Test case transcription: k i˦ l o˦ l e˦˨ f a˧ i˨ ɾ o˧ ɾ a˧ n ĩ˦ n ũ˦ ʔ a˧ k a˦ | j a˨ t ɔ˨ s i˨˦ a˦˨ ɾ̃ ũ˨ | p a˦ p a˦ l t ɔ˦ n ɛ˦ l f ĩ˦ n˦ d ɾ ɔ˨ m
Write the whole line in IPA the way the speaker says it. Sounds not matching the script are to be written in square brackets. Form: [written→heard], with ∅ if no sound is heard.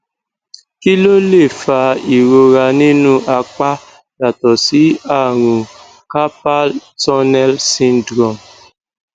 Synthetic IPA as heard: k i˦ l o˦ l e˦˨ f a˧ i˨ ɾ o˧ ɾ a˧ n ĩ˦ n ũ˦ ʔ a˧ [k→k͡p] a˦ | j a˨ t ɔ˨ s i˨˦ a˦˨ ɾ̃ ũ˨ | [p→k] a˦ p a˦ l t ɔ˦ n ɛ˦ l [f→s] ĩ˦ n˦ d ɾ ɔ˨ m

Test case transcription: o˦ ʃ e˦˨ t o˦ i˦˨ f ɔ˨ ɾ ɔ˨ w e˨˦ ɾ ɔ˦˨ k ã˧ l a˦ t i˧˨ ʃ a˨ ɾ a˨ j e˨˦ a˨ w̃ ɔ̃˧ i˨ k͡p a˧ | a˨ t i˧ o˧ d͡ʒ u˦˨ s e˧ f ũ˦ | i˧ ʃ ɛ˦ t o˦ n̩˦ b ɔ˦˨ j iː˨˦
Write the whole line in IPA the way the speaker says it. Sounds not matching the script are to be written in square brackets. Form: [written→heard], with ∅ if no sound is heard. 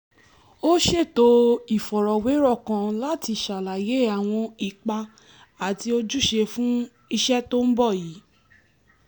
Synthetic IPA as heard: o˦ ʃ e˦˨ t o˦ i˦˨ f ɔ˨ ɾ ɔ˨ w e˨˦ ɾ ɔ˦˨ k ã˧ l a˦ t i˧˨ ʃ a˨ [ɾ→l] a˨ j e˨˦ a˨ w̃ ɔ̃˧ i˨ k͡p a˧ | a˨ t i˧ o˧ d͡ʒ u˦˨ [s→ʃ] e˧ f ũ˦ | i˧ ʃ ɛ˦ t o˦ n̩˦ b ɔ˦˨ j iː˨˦

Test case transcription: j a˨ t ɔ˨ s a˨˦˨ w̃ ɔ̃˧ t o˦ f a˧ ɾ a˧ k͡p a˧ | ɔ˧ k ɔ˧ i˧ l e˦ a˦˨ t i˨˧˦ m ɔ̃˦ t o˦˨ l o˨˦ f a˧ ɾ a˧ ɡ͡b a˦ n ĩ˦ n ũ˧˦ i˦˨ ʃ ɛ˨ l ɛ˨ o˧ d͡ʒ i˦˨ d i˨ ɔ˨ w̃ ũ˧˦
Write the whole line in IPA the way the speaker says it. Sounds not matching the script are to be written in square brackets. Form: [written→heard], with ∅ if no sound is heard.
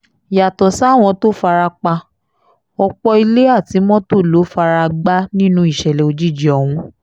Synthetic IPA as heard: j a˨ t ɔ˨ s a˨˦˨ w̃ ɔ̃˧ t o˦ f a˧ ɾ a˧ k͡p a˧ | ɔ˧ [k→k͡p] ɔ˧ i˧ l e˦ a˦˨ t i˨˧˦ m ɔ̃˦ t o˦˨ l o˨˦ f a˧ ɾ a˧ ɡ͡b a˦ n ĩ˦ n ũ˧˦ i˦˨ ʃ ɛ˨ l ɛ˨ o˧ d͡ʒ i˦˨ [d→d͡ʒ] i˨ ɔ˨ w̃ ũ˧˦

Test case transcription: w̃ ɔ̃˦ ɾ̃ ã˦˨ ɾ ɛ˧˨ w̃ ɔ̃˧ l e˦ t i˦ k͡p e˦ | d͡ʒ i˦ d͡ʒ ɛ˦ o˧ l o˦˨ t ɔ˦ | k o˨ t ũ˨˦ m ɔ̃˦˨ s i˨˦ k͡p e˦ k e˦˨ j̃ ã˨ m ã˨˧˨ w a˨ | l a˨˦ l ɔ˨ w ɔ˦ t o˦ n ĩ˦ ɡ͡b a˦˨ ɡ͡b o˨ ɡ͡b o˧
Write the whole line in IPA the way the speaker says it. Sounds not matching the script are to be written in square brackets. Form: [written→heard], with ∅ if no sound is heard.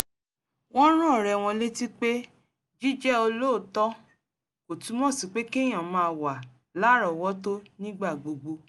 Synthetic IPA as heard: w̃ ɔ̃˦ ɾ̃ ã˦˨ ɾ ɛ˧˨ w̃ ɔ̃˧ l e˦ t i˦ k͡p e˦ | d͡ʒ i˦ d͡ʒ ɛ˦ o˧ l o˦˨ t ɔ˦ | k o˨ t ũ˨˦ m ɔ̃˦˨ s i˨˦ k͡p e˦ k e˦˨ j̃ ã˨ m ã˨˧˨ w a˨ | l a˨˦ [l→ɾ] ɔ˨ w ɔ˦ t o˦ n ĩ˦ ɡ͡b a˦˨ ɡ͡b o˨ ɡ͡b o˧

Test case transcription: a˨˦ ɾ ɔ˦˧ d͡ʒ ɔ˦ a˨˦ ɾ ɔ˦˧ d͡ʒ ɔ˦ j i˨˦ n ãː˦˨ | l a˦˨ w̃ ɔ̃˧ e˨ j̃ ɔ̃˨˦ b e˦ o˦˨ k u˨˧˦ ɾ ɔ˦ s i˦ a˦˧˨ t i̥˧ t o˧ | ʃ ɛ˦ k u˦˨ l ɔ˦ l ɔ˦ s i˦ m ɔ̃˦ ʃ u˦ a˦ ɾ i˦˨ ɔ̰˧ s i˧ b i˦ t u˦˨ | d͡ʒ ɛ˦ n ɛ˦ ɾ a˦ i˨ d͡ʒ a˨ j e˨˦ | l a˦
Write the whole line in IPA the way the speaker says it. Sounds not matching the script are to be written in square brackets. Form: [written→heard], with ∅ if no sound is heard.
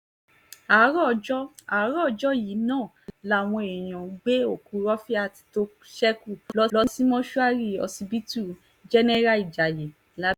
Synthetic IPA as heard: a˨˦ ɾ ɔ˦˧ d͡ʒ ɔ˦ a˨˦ ɾ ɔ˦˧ d͡ʒ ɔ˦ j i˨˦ n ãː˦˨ | l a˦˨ w̃ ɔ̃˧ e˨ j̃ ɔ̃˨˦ [b→ɡ͡b] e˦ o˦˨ k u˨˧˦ ɾ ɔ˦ [s→f] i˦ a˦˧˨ t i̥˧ t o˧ | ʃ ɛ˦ k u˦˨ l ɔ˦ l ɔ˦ s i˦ m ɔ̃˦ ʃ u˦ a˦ ɾ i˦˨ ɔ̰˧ s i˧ b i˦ t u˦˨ | d͡ʒ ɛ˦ n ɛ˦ ɾ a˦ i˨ d͡ʒ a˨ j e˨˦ | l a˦

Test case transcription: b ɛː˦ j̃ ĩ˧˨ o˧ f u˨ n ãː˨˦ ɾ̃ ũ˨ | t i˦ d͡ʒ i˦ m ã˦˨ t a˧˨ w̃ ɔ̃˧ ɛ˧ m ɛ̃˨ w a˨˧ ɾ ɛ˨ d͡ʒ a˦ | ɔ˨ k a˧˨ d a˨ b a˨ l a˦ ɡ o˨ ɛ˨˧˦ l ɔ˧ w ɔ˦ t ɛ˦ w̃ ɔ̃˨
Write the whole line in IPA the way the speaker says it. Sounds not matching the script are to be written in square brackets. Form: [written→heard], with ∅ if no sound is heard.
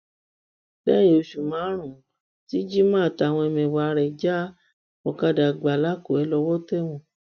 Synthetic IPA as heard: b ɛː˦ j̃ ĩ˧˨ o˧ [f→ʃ] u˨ [n→m] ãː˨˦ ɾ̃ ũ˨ | t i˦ d͡ʒ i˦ m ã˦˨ t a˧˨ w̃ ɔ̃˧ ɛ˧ m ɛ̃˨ w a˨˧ ɾ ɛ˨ d͡ʒ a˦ | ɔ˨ k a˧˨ d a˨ [b→ɡ͡b] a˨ l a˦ [ɡ→k] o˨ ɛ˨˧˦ l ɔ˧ w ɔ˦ t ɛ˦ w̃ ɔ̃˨

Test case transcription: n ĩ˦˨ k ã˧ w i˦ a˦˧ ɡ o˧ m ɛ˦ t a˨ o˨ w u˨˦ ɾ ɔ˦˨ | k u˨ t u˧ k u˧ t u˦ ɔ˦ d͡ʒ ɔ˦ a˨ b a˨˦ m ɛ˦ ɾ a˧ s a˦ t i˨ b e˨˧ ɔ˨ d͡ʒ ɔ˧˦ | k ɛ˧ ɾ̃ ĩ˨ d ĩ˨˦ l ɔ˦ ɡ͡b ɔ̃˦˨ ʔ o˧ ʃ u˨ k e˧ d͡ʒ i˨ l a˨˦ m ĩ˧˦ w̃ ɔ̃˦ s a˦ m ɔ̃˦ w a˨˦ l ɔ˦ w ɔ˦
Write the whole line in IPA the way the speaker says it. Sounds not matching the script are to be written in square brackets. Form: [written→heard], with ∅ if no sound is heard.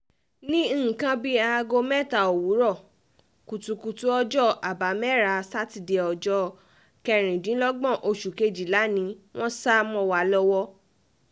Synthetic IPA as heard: n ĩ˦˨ k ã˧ [w→b] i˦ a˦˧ ɡ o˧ m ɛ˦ t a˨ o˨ w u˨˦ ɾ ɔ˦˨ | k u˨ t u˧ k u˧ t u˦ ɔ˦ d͡ʒ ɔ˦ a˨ b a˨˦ m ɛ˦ ɾ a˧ s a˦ t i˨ [b→d] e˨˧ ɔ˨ d͡ʒ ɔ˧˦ | k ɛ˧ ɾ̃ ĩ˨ d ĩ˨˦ l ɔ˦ ɡ͡b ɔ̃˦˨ ʔ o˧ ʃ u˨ k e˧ d͡ʒ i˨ l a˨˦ [m→n] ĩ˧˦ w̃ ɔ̃˦ s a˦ m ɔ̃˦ w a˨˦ l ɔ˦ w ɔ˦

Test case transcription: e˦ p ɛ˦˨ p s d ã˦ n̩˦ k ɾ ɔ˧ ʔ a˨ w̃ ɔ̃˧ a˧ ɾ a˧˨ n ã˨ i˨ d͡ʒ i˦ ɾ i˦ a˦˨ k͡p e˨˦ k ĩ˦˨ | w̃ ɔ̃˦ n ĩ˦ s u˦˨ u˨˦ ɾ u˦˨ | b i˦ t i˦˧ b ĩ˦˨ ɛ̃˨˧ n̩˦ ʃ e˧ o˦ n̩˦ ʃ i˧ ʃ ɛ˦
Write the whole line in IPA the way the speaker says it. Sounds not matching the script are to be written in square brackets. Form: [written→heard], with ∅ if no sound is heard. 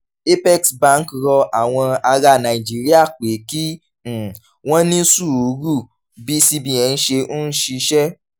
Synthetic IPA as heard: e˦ p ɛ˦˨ [p→k] s [d→b] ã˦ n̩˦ k ɾ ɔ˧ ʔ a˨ w̃ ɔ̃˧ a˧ ɾ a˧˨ n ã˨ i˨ d͡ʒ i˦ ɾ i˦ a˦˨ k͡p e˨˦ k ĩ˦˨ | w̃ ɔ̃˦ n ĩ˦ s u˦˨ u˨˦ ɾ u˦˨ | b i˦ [t→s] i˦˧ b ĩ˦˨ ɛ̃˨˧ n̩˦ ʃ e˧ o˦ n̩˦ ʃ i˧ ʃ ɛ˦

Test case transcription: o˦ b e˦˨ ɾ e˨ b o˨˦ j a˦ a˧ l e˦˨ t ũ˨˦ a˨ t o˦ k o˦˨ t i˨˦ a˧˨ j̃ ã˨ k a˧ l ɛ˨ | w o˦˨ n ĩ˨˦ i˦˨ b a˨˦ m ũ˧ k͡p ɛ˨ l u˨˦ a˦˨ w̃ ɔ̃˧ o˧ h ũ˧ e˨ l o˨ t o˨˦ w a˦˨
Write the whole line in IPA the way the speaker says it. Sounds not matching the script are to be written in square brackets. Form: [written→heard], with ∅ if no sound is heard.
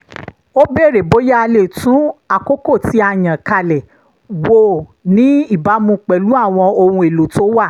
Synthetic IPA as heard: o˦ b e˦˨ ɾ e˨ b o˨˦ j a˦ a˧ l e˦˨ t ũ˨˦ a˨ [t→k] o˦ k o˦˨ t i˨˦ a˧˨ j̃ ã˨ k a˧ l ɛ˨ | w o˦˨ n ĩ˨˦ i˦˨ b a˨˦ m ũ˧ k͡p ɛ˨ l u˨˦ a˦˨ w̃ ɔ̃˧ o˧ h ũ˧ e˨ l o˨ t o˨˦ w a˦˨

